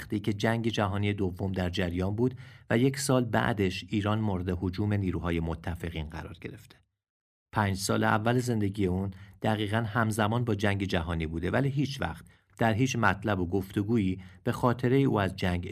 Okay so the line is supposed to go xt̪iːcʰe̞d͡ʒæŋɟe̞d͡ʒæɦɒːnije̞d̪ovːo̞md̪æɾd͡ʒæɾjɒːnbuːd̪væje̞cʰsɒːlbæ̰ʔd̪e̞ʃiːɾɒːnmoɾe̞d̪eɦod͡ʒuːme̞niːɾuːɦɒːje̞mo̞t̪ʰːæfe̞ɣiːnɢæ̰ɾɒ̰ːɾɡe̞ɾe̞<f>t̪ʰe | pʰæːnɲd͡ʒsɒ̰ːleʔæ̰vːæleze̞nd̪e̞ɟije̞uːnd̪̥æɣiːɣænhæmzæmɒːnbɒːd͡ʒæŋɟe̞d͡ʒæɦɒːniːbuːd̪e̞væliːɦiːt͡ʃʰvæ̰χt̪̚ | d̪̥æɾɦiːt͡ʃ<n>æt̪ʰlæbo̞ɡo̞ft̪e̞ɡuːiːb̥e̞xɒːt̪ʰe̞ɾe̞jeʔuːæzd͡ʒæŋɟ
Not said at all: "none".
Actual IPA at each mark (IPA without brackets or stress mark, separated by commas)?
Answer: f, m